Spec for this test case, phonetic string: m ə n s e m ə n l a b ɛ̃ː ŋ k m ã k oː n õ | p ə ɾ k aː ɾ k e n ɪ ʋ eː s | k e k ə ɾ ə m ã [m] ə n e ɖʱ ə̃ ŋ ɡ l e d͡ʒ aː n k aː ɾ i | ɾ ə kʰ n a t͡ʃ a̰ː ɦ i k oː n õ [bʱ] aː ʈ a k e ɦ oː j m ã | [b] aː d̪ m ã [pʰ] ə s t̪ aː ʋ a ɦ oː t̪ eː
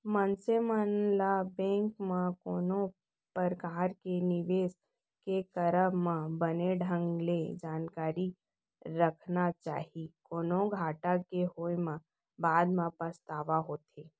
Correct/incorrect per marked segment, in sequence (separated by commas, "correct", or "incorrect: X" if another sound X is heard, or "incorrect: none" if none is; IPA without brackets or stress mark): incorrect: b, incorrect: ɡʱ, correct, incorrect: p